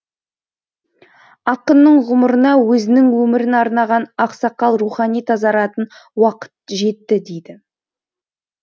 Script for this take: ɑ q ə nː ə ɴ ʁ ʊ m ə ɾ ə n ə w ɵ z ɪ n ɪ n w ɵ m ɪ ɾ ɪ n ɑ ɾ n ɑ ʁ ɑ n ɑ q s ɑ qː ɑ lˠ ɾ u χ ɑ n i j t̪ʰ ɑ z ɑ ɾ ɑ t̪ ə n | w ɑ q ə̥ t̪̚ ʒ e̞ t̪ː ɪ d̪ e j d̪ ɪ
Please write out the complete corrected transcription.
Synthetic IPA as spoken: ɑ q ə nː ə ɴ ʁ ʊ m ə ɾ ə n ɑ w ɵ z ɪ n ɪ ŋ w ɵ m ɪ ɾ ɪ n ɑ ɾ n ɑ ʁ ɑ n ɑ q s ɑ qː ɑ lˠ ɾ u χ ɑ n i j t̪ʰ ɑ z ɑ ɾ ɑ t̪ ə n | w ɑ q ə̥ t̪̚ ʒ e̞ t̪ː ɪ d̪ e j d̪ ɪ